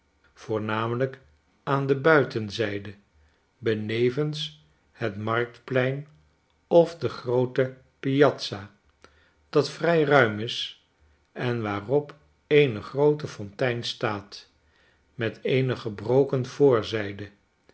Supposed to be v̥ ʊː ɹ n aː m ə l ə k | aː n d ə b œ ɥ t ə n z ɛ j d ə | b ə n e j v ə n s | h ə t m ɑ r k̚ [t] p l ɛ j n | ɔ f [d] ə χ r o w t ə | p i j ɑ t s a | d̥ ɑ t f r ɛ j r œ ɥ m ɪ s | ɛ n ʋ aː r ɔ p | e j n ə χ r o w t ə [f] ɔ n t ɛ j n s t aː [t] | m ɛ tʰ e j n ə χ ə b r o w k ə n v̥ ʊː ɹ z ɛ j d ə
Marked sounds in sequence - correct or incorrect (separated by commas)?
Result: correct, correct, correct, correct